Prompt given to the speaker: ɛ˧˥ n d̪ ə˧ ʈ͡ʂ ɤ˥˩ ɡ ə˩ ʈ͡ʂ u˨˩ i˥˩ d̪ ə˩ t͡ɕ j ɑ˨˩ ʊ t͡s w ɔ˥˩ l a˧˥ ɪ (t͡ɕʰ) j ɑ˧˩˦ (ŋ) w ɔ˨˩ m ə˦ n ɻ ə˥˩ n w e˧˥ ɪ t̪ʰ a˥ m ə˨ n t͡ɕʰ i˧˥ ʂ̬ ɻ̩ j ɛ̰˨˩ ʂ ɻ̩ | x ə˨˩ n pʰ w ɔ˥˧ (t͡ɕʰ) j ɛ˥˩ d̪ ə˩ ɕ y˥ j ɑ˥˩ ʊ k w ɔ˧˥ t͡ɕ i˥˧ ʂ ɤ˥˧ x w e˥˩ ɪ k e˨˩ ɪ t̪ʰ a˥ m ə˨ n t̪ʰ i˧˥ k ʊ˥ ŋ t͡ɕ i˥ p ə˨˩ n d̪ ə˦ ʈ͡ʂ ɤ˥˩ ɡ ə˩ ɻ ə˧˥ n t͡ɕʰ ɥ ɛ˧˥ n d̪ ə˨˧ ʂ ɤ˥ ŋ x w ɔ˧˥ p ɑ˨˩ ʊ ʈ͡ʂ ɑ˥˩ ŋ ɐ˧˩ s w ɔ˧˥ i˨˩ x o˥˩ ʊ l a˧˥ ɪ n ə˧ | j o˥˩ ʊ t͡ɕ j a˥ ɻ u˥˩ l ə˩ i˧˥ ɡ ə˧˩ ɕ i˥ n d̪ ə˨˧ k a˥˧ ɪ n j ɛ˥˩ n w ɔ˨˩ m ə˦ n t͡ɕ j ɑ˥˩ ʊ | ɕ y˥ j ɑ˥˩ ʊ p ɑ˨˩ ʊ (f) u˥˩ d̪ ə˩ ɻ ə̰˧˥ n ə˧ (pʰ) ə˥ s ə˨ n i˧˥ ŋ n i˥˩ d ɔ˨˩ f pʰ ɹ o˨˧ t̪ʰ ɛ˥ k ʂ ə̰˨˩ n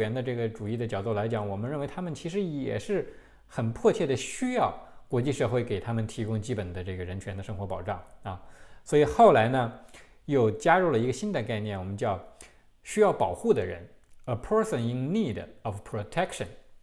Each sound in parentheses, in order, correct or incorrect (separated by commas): incorrect, correct, correct, incorrect, correct